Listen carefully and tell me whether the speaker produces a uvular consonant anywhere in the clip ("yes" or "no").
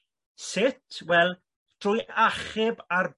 yes